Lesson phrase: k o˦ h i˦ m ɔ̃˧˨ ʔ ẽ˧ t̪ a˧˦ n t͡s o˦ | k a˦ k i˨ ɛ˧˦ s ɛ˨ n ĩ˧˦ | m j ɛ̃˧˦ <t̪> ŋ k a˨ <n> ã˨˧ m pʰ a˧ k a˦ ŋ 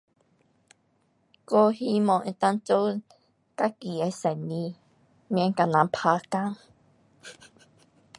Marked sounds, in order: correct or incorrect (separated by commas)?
incorrect, correct